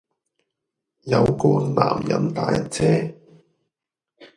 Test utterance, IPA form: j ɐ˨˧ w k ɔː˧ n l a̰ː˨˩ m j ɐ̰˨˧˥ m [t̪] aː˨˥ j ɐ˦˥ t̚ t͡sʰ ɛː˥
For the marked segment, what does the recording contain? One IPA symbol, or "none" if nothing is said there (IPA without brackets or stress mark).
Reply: t̪